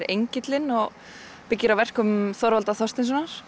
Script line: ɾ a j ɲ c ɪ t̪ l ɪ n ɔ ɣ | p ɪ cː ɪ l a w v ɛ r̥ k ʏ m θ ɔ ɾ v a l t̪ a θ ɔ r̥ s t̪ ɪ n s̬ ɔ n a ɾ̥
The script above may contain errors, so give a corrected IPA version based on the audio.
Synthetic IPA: ɾ e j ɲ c ɪ t̪ l ɪ n ɔ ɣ | p ɪ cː ɪ ɾ a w v ɛ r̥ k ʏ m θ ɔ ɾ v a l t̪ a θ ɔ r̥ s t̪ ɪ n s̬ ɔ n a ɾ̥